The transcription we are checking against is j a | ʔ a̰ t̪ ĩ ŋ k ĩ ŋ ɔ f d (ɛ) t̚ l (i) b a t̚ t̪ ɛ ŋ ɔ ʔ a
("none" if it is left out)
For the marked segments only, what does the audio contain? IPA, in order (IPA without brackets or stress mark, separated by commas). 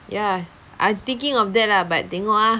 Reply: ɛ, a